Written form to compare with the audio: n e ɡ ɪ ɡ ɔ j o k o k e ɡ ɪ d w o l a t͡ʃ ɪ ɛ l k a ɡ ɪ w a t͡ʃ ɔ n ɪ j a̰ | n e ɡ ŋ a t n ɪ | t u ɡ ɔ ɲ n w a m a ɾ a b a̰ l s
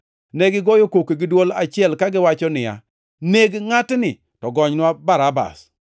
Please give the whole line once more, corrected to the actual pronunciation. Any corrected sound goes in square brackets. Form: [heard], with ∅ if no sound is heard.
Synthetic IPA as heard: n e ɡ ɪ ɡ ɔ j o k o k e ɡ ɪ d w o l a t͡ʃ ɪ ɛ l k a ɡ ɪ w a t͡ʃ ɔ n ɪ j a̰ | n e ɡ ŋ a t n ɪ | t [ɔ] ɡ ɔ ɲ n w a [b] a ɾ a b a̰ [∅] s